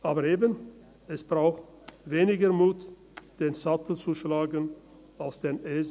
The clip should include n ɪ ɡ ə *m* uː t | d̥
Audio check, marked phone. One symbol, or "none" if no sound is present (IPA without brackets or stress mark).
m